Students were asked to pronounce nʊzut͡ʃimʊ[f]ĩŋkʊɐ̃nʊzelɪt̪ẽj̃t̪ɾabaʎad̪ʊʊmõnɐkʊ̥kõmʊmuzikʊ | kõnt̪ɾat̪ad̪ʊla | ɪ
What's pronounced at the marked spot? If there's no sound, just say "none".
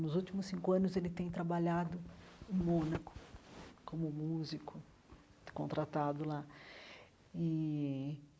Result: s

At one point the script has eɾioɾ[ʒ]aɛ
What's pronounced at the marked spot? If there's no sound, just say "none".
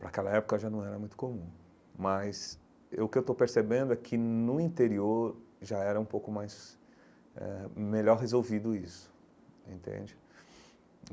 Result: ʒ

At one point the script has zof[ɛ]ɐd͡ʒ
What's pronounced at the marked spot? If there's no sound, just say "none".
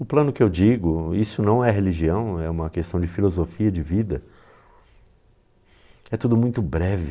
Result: i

